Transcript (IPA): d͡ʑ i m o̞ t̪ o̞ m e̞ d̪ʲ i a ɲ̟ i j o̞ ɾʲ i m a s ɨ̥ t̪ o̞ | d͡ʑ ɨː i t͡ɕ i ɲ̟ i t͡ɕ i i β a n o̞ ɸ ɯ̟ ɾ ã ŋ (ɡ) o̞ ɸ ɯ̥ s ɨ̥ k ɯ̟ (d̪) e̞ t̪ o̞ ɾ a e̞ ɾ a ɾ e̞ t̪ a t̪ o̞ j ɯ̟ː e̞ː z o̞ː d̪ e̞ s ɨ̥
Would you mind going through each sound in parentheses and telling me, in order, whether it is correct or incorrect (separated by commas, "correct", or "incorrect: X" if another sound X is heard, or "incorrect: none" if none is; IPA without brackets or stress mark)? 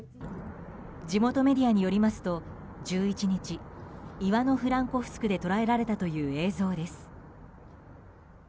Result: incorrect: k, correct